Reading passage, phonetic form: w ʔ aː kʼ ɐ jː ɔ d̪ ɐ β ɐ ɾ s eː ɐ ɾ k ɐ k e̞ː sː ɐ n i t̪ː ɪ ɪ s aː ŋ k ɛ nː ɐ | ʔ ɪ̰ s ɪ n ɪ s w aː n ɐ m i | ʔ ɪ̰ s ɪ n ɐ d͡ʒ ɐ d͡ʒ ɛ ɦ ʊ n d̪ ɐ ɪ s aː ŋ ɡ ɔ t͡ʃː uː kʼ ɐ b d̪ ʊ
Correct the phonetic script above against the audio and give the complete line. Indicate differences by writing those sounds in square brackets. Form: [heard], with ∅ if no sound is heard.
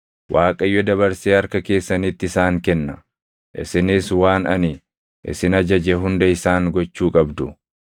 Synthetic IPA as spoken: w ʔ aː kʼ ɐ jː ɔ d̪ ɐ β ɐ ɾ s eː ɐ ɾ k ɐ k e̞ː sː ɐ n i t̪ː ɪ ɪ s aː ŋ k ɛ nː ɐ | ʔ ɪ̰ s ɪ n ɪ s w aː n ɐ [n] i | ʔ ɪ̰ s ɪ n ɐ d͡ʒ ɐ d͡ʒ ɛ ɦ ʊ n d̪ ɐ ɪ s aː ŋ ɡ ɔ t͡ʃː uː kʼ ɐ b d̪ ʊ